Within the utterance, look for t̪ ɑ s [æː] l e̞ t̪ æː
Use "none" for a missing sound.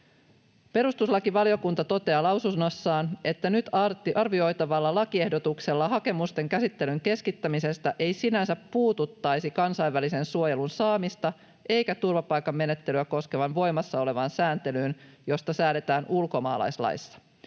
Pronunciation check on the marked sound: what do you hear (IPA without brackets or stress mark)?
æː